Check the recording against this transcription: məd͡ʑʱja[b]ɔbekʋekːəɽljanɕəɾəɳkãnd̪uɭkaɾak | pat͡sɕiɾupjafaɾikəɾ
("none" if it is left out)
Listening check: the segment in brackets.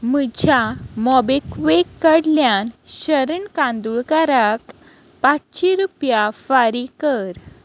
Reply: m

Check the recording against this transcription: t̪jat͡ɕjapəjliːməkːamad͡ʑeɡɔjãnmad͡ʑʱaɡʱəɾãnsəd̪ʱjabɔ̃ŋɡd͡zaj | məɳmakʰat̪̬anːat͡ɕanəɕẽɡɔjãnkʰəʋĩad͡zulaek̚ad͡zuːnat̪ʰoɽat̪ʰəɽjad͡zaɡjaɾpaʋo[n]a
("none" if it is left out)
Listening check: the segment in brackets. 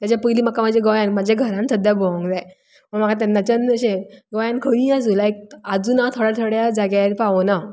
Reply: n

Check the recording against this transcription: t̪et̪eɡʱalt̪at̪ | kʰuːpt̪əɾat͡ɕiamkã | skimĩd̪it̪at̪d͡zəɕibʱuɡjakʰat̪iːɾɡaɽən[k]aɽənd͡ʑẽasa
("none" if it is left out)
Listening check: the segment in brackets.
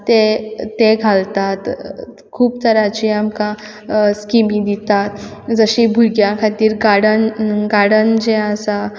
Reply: ɡ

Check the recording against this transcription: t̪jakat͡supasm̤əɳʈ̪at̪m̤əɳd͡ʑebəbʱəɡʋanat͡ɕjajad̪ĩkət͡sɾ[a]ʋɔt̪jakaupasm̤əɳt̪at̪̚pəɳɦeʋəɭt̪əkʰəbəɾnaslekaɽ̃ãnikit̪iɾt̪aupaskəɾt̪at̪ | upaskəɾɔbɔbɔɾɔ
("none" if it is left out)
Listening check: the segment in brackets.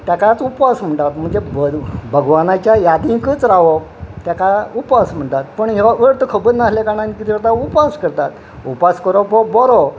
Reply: a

